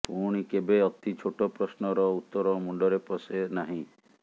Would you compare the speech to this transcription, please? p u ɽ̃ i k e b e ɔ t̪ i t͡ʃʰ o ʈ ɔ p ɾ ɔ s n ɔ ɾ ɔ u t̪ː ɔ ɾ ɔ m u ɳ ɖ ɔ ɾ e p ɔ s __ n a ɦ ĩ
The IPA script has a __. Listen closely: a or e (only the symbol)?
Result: e